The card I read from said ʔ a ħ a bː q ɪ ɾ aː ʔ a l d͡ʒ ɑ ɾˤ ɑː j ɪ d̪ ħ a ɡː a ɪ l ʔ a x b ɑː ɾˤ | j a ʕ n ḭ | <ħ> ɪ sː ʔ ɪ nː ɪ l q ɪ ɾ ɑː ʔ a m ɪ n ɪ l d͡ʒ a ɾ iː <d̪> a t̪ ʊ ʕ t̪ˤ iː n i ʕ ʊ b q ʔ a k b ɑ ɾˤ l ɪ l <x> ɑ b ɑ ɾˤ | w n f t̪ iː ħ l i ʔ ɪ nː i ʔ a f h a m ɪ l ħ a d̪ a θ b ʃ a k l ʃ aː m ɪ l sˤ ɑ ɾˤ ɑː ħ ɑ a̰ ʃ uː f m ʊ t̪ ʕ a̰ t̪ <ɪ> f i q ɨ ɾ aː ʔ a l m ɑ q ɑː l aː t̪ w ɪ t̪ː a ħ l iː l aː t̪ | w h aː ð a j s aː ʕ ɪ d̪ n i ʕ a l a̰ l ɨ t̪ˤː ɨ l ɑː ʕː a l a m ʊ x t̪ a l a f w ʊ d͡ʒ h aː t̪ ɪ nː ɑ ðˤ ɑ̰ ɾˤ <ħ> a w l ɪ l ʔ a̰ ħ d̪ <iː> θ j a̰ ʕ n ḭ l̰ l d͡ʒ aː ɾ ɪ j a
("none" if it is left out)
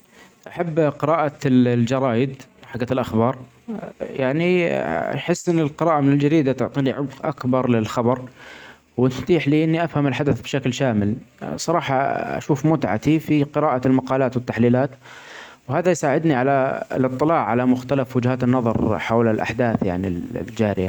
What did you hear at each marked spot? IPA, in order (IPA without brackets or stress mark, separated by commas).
ħ, d̪, x, i, ħ, aː